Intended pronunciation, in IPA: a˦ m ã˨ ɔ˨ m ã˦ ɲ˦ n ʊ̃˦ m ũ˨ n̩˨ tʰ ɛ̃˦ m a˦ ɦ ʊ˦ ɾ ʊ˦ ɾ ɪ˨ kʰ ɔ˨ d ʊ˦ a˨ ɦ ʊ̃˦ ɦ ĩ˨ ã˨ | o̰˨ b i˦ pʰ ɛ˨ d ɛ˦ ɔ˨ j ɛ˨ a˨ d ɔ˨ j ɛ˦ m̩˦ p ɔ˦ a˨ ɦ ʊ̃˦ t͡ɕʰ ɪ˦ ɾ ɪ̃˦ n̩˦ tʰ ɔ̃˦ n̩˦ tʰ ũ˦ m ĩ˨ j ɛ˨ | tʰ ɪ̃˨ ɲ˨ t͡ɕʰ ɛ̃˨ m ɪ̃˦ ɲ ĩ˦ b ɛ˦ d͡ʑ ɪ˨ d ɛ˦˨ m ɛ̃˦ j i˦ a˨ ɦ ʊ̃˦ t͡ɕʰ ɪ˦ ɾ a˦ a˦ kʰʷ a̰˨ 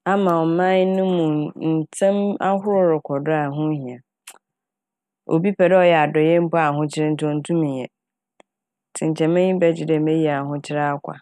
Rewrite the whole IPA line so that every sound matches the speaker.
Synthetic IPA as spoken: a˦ m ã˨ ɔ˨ m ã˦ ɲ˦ n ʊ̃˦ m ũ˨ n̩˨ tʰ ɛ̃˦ m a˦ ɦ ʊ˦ ɾ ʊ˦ ɾ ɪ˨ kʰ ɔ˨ d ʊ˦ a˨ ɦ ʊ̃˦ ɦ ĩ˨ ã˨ | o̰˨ b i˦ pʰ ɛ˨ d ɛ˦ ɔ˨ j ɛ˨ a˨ d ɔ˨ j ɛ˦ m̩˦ p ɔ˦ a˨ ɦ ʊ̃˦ t͡ɕʰ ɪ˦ ɾ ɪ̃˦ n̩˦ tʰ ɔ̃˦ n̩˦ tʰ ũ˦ m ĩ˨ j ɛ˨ | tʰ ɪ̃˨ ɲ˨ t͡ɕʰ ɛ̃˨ m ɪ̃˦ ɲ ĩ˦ b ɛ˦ d͡ʑ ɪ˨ d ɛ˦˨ m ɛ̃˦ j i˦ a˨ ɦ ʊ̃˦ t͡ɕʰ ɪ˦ ɾ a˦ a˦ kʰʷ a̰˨